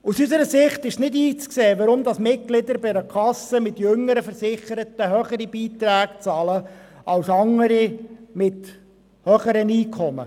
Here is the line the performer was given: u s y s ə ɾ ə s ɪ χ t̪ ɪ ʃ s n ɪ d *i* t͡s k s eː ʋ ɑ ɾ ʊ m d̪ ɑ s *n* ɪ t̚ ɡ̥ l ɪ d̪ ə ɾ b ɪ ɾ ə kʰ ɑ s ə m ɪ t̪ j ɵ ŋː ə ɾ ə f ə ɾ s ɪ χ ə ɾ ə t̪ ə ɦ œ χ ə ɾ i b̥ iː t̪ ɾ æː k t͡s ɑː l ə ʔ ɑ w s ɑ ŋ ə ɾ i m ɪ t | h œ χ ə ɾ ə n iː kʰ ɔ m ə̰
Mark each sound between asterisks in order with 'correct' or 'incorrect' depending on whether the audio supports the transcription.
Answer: incorrect: iː, incorrect: m

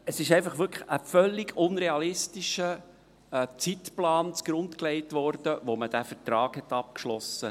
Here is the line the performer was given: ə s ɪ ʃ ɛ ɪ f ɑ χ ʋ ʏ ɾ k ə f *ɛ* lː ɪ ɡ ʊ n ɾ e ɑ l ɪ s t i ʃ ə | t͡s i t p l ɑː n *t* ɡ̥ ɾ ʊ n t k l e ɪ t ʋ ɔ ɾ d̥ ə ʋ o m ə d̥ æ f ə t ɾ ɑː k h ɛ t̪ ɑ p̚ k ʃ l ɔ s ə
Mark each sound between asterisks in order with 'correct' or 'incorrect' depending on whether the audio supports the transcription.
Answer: incorrect: œ, incorrect: t͡s

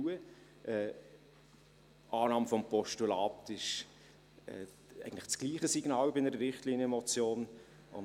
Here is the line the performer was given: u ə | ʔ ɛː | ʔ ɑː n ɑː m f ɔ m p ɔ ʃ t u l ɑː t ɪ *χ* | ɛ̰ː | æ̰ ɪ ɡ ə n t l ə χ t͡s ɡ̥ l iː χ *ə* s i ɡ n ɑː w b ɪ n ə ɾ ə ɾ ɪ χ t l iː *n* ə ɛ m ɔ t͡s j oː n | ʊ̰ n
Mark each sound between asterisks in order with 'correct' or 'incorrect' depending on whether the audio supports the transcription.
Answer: incorrect: ʃ, correct, correct

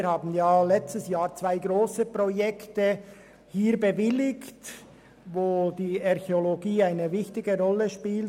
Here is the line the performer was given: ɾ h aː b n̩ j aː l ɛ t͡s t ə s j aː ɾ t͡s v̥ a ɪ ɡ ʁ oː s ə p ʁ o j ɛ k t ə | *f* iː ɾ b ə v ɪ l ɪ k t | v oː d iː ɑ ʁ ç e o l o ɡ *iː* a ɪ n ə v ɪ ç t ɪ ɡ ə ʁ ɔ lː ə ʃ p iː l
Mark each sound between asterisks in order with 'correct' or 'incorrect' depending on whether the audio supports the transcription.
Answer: incorrect: h, correct

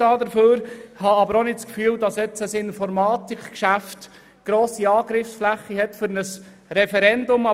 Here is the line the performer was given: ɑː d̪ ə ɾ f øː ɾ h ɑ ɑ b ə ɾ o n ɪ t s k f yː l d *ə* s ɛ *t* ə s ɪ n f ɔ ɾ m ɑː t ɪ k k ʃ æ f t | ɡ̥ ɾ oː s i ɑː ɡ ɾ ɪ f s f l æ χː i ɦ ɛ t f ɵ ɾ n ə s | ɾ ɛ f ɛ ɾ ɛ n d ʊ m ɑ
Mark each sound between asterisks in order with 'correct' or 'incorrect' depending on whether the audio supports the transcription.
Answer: incorrect: ɑ, incorrect: t͡s

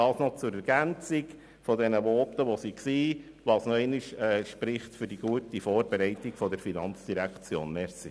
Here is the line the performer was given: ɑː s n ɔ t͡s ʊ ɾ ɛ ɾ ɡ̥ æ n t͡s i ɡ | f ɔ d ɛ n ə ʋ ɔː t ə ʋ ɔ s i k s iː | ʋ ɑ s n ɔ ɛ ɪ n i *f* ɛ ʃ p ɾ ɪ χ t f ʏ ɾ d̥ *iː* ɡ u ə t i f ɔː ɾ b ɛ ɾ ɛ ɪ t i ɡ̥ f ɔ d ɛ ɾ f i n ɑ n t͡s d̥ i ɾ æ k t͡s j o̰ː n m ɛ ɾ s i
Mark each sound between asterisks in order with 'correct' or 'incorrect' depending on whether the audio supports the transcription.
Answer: incorrect: ʃ, incorrect: i

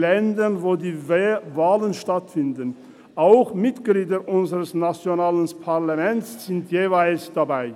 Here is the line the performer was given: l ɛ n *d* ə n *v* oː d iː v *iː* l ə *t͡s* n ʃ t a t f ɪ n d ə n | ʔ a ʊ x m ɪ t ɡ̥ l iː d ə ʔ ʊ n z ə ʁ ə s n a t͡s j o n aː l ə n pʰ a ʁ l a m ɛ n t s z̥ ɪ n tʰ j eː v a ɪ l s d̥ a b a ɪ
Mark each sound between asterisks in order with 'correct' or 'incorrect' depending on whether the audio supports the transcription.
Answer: correct, correct, incorrect: aː, incorrect: none

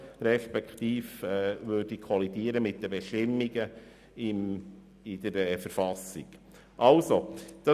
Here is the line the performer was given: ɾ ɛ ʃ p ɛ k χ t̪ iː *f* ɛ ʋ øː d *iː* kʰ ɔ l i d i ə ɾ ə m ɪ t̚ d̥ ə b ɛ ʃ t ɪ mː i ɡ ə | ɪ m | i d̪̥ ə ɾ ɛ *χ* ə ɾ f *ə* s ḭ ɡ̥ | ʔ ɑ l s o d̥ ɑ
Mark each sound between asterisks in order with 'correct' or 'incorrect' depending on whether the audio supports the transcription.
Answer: correct, incorrect: i, incorrect: f, incorrect: ɑ

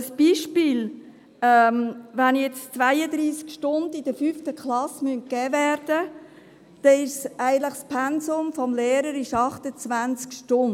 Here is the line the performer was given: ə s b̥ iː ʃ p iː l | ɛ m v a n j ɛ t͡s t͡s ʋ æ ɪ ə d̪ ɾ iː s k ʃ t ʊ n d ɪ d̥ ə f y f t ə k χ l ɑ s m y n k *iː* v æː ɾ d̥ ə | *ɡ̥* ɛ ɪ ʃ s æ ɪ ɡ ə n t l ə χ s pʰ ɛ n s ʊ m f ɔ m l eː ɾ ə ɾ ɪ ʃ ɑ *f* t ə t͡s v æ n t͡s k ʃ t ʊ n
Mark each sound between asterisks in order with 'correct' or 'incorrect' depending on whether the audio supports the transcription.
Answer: incorrect: ɛː, incorrect: d̥, incorrect: χ

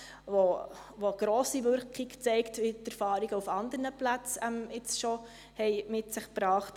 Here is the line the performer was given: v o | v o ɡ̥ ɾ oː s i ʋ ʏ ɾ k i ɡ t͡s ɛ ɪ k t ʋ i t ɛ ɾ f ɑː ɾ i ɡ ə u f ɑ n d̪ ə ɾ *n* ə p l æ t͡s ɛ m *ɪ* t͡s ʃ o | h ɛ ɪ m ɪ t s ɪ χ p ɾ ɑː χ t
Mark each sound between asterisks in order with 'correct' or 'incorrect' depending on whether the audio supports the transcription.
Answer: correct, correct

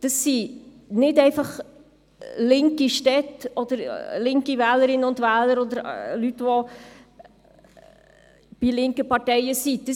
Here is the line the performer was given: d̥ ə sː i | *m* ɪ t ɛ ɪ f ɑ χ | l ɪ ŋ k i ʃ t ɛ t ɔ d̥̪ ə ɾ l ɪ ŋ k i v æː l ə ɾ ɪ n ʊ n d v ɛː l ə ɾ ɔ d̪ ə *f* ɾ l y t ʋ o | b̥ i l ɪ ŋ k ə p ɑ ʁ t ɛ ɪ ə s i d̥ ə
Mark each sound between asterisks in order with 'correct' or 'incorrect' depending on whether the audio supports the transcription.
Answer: incorrect: n, incorrect: none

